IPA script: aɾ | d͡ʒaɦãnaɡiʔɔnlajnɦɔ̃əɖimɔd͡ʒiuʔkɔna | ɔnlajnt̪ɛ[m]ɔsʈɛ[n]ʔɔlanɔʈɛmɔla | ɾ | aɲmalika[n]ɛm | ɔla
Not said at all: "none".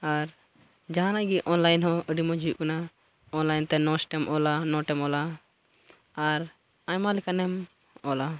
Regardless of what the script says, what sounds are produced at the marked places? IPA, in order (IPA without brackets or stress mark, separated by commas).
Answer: n, m, n